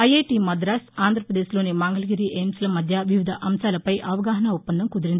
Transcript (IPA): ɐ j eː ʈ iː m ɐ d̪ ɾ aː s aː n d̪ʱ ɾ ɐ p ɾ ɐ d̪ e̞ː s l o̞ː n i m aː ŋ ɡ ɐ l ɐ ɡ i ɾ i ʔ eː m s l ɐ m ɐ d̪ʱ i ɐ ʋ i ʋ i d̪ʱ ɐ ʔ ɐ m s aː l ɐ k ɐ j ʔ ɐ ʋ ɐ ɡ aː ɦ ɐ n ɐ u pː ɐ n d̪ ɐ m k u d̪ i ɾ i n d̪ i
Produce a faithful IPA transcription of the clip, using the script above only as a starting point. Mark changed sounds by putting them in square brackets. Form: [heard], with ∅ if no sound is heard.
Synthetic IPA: ɐ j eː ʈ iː m ɐ d̪ ɾ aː s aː n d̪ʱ ɾ ɐ p ɾ ɐ d̪ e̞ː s l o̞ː n i m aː ŋ ɡ ɐ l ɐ ɡ i ɾ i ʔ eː m s l ɐ m ɐ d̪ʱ [j] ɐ ʋ i ʋ i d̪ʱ ɐ ʔ ɐ m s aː l ɐ [p] ɐ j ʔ ɐ ʋ ɐ ɡ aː ɦ ɐ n ɐ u pː ɐ n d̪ ɐ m k u d̪ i ɾ i n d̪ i